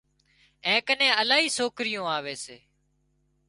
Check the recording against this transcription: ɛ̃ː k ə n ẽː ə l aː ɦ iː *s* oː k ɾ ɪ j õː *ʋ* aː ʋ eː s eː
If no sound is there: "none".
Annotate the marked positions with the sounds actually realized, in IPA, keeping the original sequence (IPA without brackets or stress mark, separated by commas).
s, none